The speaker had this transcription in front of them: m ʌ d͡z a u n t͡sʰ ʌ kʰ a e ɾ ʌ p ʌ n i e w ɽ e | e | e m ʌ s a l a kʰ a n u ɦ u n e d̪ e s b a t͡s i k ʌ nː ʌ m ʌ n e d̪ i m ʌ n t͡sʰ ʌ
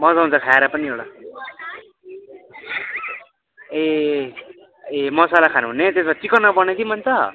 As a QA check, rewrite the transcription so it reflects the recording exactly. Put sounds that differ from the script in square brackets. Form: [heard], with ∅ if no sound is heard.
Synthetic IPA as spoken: m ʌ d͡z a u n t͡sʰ ʌ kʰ a e ɾ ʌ p ʌ n i e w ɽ [a] | e | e m ʌ s a l a kʰ a n u ɦ u n e [t̪] e s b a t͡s i k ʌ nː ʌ [b] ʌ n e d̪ i m ʌ n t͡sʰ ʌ

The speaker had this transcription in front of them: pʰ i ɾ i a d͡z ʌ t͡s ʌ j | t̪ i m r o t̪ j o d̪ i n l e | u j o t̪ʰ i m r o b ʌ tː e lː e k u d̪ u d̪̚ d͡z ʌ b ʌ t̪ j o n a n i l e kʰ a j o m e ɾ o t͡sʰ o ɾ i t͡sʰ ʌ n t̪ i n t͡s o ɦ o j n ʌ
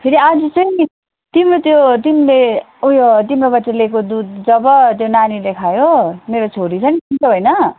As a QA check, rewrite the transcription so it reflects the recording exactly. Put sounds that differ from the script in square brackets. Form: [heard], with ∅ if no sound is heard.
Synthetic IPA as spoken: pʰ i ɾ i a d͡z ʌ t͡s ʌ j | t̪ i m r o t̪ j o [t̪] i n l e | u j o [t̪] i m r o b ʌ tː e [l] e k [o] d̪ u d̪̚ d͡z ʌ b ʌ t̪ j o n a n i l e kʰ a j o m e ɾ o t͡sʰ o ɾ i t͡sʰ ʌ n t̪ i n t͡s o ɦ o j n ʌ

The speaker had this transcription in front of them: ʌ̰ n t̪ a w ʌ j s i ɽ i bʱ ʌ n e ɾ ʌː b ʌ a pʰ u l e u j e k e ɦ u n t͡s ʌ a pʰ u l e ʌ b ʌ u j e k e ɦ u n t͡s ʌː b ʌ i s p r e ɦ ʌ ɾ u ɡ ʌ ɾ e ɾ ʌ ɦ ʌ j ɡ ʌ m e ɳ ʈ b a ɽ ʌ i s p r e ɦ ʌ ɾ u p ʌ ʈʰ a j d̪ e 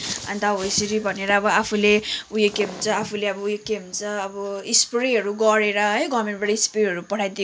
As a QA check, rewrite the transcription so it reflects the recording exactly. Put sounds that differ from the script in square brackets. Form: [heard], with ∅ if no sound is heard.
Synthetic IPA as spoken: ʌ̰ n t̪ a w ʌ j s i [ɾ] i bʱ ʌ n e ɾ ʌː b ʌ a pʰ u l e u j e k e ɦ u n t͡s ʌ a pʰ u l e ʌ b ʌ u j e k e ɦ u n t͡s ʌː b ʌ i s p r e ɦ ʌ ɾ u ɡ ʌ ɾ e ɾ ʌ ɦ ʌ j ɡ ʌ m e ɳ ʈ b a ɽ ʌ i s p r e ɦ ʌ ɾ u p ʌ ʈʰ a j d̪ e

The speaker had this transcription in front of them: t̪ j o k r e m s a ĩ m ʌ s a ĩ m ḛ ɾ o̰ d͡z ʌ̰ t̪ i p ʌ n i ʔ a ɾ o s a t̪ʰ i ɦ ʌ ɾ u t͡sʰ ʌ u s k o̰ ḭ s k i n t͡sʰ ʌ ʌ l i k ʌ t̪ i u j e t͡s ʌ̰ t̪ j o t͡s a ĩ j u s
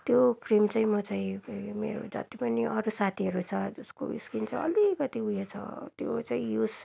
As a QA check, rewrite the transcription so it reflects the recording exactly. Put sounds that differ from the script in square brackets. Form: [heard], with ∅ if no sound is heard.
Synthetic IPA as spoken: t̪ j o k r [i] m [t͡s] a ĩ m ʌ [t͡s] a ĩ m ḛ ɾ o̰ d͡z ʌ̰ t̪ i p ʌ n i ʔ [ʌ] ɾ [u] s a t̪ʰ i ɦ ʌ ɾ u t͡sʰ ʌ u s k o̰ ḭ s k i n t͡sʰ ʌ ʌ l i k ʌ t̪ i u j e [t͡sʰ] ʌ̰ t̪ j o t͡s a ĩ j u s

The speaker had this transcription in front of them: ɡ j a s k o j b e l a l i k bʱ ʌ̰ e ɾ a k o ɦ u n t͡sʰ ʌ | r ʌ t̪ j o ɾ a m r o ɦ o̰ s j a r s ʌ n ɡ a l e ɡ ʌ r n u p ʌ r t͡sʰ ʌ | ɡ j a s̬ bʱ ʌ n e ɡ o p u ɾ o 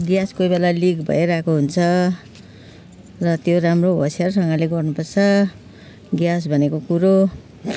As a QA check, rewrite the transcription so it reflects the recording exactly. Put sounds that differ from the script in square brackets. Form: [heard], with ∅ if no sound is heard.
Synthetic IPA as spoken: ɡ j a s k o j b e l a l i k bʱ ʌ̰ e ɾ a k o ɦ u n t͡sʰ ʌ | r ʌ t̪ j o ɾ a m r o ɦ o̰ s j a r s ʌ [ŋ] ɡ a l e ɡ ʌ r n u p ʌ r t͡sʰ ʌ | ɡ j a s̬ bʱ ʌ n e [k] o [k] u ɾ o

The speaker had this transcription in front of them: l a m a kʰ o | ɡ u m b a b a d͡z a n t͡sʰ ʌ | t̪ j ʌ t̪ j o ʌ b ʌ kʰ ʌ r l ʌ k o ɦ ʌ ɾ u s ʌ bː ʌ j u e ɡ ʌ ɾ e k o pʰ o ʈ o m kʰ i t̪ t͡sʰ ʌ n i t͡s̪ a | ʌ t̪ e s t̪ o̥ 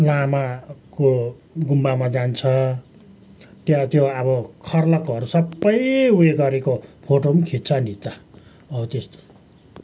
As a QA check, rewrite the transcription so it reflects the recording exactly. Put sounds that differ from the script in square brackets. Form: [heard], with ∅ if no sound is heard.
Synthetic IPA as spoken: l a m a [k] o | ɡ u m b a [m] a d͡z a n t͡sʰ ʌ | t̪ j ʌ t̪ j o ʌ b ʌ kʰ ʌ r l ʌ k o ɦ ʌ ɾ u s ʌ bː ʌ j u e ɡ ʌ ɾ e k o pʰ o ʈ o m kʰ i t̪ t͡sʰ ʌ n i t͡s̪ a | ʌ t̪ e s t̪ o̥

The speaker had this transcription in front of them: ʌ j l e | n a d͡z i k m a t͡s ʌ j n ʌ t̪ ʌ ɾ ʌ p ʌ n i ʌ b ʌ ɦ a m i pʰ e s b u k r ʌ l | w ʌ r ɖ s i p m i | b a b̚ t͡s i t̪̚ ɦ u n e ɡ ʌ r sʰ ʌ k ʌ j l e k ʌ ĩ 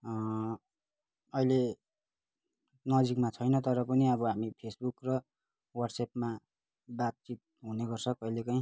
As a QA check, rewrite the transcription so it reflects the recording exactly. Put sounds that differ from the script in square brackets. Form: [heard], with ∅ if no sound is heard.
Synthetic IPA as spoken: ʌ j l e | n [ʌ] d͡z i k m a [t͡sʰ] ʌ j n ʌ t̪ ʌ ɾ ʌ p ʌ n i ʌ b ʌ ɦ a m i pʰ e s b u k r ʌ [∅] | w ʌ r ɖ s [e] p m [a] | b a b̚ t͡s i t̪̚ ɦ u n e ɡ ʌ r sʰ ʌ k ʌ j l e k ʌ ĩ

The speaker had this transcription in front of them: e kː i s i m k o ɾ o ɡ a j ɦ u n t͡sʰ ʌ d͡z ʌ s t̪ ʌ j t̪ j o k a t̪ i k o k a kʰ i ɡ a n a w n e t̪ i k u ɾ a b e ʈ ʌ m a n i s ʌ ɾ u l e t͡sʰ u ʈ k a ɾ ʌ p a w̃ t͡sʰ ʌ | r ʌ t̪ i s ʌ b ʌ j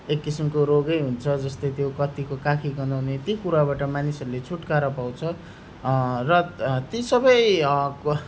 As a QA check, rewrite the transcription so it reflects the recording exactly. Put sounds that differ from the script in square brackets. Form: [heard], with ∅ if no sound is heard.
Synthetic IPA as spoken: e kː i s i m k o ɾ o ɡ [ʌ] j ɦ u n t͡sʰ ʌ d͡z ʌ s t̪ ʌ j t̪ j o k [ʌ] t̪ i k o k a kʰ i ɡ [ʌ] n a w n e t̪ i k u ɾ a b [a] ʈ ʌ m a n i s ʌ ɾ u l e t͡sʰ u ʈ k a ɾ ʌ p a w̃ t͡sʰ ʌ | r ʌ t̪ i s ʌ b ʌ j

